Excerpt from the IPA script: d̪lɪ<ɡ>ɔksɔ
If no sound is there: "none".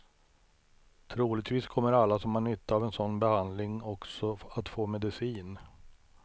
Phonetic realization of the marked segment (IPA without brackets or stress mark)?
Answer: ŋ